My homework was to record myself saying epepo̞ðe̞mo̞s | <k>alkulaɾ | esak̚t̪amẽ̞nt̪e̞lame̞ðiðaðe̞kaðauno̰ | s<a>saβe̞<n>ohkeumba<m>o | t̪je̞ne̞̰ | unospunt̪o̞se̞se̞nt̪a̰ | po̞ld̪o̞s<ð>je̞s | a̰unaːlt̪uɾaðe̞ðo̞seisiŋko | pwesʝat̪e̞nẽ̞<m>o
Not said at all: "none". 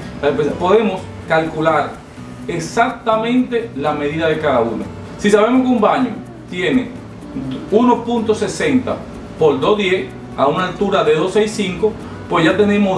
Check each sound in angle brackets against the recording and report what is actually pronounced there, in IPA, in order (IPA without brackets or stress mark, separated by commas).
k, i, m, ɲ, ð, m